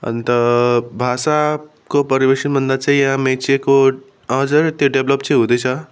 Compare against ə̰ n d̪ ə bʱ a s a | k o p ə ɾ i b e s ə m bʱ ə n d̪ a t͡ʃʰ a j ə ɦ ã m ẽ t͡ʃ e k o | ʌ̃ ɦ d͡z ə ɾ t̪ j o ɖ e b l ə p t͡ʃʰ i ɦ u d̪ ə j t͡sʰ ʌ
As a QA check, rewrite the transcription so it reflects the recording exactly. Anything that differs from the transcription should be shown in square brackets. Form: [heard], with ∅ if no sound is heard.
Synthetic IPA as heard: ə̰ n [t̪] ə bʱ a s a | k o p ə ɾ i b e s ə [n] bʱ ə n d̪ a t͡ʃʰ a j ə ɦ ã m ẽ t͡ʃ e k o | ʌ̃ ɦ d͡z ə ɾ t̪ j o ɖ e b l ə p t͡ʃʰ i ɦ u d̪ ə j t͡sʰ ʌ

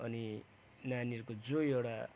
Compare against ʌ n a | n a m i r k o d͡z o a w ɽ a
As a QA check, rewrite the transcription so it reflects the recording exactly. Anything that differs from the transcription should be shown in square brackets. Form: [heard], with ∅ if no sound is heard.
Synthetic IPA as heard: ʌ n [i] | n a [n] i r k o d͡z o [e] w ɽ a

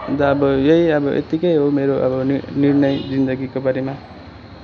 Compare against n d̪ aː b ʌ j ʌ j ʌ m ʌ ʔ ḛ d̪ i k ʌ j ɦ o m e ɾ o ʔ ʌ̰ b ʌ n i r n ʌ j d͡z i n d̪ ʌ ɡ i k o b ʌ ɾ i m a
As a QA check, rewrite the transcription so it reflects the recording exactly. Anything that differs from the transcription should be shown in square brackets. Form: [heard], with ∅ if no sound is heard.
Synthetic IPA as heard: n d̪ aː b ʌ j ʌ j ʌ [b] ʌ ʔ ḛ [t̪] i k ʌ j ɦ o m e ɾ o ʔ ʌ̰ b ʌ n i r n ʌ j d͡z i n d̪ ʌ ɡ i k o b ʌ ɾ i m a

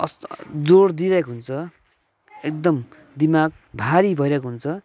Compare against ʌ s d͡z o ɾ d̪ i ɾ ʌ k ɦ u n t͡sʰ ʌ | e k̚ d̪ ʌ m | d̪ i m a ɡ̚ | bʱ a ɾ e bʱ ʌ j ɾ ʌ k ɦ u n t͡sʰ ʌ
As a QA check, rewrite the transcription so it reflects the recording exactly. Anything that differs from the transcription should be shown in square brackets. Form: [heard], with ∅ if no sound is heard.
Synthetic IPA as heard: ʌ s d͡z o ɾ d̪ i ɾ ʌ k ɦ u n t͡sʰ ʌ | e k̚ d̪ ʌ m | d̪ i m a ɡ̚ | bʱ a ɾ [i] bʱ ʌ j ɾ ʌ k ɦ u n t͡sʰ ʌ

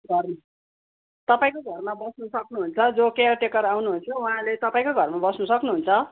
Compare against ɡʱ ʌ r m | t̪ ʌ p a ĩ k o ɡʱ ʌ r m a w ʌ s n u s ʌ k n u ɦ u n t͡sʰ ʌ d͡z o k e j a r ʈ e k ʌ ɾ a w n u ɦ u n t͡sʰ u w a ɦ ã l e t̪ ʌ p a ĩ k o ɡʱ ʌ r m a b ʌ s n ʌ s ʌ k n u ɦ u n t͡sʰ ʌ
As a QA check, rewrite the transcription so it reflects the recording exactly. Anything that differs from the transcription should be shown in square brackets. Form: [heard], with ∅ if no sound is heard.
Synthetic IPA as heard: ɡʱ ʌ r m | t̪ ʌ p a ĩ k o ɡʱ ʌ r m a [b] ʌ s n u s ʌ k n u ɦ u n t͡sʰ ʌ d͡z o k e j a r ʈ e k ʌ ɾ a w n u ɦ u n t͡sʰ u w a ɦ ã l e t̪ ʌ p a ĩ k o ɡʱ ʌ r m a b ʌ s n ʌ s ʌ k n u ɦ u n t͡sʰ ʌ

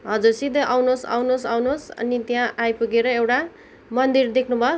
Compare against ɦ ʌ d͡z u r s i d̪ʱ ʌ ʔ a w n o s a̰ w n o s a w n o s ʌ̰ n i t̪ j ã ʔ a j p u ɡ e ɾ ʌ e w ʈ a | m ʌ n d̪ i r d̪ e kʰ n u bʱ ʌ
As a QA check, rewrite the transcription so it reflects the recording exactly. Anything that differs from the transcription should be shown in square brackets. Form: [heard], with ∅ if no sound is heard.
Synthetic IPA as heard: ɦ ʌ d͡z u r s i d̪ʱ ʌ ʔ a w n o s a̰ w n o s a w n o s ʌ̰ n i t̪ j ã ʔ a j p u ɡ e ɾ ʌ e w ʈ a | m ʌ n d̪ i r d̪ e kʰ n u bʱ ʌ

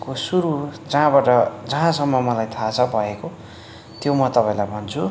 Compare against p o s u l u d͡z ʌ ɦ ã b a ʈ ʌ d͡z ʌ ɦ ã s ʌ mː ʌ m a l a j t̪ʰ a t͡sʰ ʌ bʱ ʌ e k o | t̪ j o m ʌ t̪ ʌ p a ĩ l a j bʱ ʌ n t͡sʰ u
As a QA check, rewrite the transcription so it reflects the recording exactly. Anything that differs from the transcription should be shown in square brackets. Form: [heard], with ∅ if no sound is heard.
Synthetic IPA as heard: [k] o s u [ɾ] u d͡z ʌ ɦ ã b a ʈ ʌ d͡z ʌ ɦ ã s ʌ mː ʌ m [ʌ] l a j t̪ʰ a t͡sʰ ʌ bʱ ʌ e k o | t̪ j o m ʌ t̪ ʌ p a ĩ l a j bʱ ʌ n t͡sʰ u

